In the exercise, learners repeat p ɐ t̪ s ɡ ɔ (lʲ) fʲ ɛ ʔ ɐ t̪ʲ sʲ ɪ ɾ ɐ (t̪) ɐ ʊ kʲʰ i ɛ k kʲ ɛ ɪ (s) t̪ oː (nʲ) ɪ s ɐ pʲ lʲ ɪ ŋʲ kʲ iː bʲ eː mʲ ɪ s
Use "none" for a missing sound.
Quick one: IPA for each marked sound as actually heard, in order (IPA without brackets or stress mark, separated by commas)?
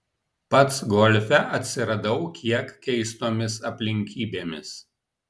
lʲ, d̪, s, mʲ